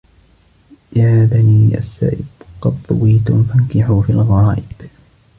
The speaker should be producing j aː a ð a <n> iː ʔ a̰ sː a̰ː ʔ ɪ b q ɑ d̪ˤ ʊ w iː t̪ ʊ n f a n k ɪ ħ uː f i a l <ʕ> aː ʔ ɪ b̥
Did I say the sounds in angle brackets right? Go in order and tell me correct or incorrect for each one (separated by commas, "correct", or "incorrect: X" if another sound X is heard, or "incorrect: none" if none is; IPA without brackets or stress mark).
correct, incorrect: ɣ